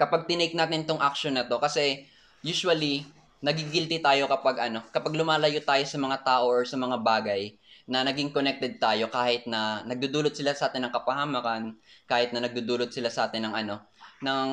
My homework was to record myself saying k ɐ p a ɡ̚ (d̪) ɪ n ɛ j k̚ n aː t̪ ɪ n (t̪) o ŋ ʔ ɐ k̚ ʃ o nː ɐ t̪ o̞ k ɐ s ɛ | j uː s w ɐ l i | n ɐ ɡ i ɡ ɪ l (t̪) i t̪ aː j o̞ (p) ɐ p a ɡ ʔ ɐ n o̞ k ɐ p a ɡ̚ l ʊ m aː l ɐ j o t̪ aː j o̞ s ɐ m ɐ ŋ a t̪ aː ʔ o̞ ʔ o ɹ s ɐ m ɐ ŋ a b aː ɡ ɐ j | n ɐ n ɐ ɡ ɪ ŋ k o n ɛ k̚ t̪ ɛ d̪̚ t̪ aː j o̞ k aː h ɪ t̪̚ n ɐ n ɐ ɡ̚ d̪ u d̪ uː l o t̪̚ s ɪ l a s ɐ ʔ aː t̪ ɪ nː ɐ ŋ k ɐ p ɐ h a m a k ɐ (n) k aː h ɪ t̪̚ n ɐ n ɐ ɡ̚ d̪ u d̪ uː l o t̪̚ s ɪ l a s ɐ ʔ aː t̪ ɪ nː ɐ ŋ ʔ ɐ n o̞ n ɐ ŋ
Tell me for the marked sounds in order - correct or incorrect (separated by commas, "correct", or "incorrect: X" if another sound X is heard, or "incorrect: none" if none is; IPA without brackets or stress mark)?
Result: incorrect: t̪, correct, correct, incorrect: k, correct